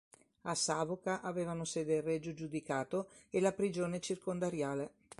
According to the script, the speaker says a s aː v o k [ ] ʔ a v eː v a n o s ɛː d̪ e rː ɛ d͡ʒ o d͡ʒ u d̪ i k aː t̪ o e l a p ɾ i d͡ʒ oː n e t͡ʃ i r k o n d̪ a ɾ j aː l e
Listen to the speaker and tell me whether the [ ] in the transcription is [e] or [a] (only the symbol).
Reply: a